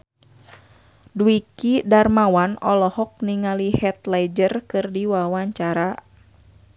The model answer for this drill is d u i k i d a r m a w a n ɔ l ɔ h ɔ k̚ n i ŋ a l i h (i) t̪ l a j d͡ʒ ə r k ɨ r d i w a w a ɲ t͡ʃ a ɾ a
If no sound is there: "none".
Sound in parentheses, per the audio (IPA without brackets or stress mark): ɛ